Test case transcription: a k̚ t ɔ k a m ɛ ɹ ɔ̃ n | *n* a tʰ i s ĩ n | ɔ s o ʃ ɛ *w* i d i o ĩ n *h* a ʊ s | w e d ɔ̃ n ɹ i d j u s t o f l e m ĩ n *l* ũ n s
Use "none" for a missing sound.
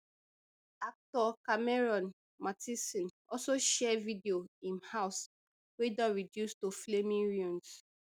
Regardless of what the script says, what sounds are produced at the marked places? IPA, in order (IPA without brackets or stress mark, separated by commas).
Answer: m, v, h, ɹ